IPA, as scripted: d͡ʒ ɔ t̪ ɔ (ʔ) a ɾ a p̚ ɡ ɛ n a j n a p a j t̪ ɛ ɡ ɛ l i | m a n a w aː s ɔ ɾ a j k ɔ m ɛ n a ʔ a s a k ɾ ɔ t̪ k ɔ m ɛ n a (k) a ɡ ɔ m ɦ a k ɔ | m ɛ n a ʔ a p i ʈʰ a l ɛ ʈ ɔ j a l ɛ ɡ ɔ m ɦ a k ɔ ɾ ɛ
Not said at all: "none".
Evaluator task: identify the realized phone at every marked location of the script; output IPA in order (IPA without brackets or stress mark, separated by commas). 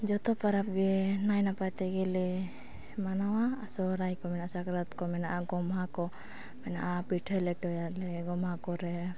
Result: p, ʔ